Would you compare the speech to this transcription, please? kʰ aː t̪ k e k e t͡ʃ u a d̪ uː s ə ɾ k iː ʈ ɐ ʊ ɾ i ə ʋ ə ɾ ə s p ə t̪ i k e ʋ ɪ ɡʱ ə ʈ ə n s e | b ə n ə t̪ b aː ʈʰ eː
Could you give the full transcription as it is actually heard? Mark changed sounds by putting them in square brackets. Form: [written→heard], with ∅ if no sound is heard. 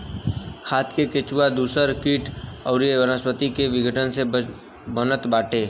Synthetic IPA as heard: kʰ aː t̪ k e k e t͡ʃ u a d̪ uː s ə ɾ k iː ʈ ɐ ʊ ɾ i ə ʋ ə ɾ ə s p ə t̪ i k e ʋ ɪ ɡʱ ə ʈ ə n s e | b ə n ə t̪ b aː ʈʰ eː

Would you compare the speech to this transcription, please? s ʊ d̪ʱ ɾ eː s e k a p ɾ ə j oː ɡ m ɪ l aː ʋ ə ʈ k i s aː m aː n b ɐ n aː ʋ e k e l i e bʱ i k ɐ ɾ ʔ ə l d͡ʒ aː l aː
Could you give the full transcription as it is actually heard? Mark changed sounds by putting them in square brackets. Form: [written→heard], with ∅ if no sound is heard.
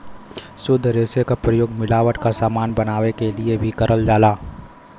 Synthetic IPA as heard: s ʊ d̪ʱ ɾ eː s e k a p ɾ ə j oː ɡ m ɪ l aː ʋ ə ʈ k [i→a] s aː m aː n b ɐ n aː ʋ e k e l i e bʱ i k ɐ ɾ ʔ ə l d͡ʒ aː l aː

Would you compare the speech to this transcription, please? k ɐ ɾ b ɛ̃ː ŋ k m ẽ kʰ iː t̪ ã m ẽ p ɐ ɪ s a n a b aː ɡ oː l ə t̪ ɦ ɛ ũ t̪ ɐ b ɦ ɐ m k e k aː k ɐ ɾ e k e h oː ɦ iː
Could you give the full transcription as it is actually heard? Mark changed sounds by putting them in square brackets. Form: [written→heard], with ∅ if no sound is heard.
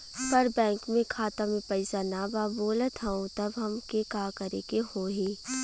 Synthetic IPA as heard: [k→p] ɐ ɾ b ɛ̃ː ŋ k m ẽ kʰ [iː→aː] t̪ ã m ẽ p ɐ ɪ s a n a b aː [ɡ→b] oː l ə t̪ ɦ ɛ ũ t̪ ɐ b ɦ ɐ m k e k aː k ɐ ɾ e k e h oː ɦ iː

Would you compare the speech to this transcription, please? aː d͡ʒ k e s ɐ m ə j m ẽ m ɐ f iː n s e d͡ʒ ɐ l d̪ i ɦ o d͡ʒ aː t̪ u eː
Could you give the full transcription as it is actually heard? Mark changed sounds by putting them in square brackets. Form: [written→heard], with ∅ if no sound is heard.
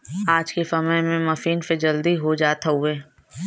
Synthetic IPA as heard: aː d͡ʒ k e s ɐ m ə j m ẽ m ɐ f iː n s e d͡ʒ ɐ l d̪ i ɦ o d͡ʒ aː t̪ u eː

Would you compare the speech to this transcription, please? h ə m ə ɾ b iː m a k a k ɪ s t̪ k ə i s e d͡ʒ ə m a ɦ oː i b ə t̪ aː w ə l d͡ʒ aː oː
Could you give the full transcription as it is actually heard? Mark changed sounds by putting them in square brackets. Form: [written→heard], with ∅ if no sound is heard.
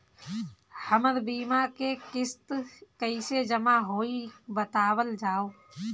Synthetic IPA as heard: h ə m ə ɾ b iː m a k [a→e] k ɪ s t̪ k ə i s e d͡ʒ ə m a ɦ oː i b ə t̪ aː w ə l d͡ʒ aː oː

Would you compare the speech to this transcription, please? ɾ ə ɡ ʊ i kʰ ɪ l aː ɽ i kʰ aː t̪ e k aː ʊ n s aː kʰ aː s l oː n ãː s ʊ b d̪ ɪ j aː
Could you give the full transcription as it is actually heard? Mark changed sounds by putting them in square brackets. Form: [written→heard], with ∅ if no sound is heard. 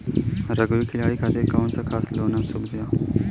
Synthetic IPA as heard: ɾ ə ɡ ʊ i kʰ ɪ l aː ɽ i kʰ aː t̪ e k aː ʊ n s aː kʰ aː s l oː n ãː s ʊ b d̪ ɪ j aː

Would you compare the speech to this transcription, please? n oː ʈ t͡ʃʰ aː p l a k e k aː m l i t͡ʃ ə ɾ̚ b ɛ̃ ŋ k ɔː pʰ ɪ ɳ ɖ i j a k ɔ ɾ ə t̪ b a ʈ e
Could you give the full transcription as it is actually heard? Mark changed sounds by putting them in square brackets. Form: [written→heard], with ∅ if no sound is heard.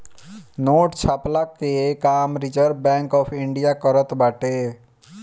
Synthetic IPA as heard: n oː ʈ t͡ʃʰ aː p l a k e k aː m [l→ɾ] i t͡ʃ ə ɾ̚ b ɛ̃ ŋ k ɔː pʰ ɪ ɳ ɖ i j a k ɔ ɾ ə t̪ b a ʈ e

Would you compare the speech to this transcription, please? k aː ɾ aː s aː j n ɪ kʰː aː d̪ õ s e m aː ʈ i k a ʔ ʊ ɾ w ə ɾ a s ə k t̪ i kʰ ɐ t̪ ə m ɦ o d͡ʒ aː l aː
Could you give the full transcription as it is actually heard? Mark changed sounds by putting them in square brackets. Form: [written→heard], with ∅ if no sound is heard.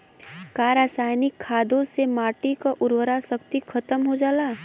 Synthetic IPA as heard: k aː ɾ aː s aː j n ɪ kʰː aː d̪ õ s e m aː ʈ i k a ʔ ʊ ɾ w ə ɾ a s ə k t̪ i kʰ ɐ t̪ ə m ɦ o d͡ʒ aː l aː

